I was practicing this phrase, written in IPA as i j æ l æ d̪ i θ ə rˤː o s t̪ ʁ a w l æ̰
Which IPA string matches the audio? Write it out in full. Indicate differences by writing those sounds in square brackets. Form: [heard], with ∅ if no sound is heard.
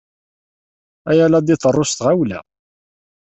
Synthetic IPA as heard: [æ] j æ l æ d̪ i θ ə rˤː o s t̪ ʁ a w l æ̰